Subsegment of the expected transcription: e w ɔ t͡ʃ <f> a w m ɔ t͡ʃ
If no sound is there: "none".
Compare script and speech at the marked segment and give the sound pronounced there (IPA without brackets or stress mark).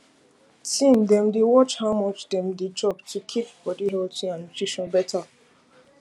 h